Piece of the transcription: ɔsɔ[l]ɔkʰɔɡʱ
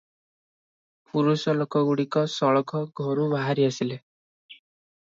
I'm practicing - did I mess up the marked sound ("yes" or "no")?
yes